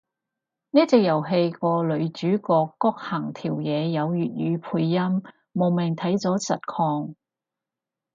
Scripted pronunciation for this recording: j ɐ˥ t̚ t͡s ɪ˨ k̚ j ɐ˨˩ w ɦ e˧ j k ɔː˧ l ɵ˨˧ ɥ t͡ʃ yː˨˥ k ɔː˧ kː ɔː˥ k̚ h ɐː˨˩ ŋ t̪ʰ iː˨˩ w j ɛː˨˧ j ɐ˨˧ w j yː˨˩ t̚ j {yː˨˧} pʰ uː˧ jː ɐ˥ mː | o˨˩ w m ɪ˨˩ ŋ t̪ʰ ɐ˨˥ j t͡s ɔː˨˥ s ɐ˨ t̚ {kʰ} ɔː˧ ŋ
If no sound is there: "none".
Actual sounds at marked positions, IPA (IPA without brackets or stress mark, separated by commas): yː˨˧, kʰ